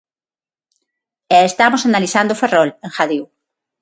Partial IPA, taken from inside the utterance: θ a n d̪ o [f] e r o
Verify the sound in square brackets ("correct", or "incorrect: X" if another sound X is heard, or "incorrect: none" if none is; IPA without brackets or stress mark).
correct